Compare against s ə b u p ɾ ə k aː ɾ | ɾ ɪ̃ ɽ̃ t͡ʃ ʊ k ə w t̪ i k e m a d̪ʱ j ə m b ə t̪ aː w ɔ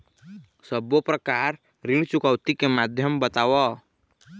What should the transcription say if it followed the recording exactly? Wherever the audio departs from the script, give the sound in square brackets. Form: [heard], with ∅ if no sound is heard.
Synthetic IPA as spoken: s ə b [o] p ɾ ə k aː ɾ | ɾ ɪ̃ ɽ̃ t͡ʃ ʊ k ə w t̪ i k e m a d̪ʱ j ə m b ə t̪ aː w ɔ